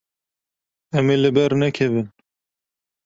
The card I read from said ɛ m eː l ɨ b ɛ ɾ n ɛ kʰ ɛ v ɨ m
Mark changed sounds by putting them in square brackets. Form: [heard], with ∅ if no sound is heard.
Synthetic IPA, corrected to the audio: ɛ m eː l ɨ b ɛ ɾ n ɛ kʰ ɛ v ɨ [n]